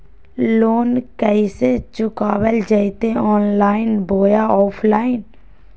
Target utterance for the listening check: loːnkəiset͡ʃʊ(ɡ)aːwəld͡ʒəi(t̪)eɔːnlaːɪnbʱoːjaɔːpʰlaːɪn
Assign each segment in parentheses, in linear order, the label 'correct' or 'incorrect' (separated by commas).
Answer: incorrect, correct